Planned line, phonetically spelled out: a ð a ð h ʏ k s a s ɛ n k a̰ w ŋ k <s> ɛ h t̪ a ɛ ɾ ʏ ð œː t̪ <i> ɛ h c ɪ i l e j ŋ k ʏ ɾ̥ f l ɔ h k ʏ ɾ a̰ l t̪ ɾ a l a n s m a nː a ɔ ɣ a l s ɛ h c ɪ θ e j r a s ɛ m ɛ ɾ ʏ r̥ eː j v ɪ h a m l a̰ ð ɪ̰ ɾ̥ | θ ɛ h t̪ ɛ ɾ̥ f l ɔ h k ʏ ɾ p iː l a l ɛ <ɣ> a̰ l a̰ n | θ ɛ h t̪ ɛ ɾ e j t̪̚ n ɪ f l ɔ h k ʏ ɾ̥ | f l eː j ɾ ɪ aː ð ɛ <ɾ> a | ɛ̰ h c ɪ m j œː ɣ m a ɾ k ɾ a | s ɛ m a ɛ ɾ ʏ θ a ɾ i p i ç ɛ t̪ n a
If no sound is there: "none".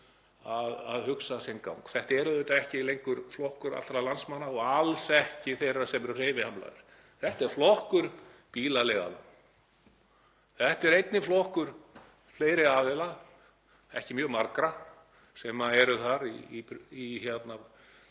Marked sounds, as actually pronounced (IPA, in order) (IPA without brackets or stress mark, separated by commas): θ, a, ɣ, l